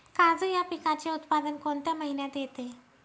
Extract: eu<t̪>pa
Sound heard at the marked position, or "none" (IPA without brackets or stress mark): t̪